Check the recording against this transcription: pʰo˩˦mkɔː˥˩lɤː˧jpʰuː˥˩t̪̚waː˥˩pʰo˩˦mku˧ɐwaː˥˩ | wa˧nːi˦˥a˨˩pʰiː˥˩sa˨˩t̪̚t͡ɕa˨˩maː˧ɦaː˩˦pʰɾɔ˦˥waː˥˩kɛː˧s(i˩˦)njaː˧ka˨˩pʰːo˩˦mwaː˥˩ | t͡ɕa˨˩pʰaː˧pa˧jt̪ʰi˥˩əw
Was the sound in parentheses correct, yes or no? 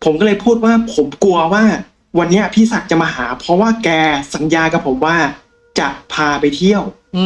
no